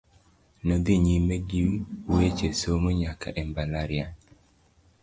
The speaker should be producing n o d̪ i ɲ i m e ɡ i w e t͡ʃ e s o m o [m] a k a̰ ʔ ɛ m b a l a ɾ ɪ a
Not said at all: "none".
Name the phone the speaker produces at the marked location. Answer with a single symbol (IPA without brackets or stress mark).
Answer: ɲ